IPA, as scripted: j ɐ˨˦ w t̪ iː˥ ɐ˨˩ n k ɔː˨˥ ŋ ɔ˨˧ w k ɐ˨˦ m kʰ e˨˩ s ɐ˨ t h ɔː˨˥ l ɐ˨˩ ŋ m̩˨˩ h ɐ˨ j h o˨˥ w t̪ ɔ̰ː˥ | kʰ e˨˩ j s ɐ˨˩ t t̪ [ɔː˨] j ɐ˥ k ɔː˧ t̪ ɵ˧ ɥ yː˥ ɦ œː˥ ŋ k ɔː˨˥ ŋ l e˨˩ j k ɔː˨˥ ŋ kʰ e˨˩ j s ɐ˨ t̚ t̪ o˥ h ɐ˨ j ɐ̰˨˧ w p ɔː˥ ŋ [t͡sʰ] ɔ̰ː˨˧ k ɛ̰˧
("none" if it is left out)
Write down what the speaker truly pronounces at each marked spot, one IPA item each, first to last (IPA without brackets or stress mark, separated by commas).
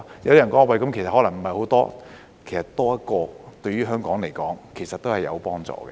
ɔː˥, t͡s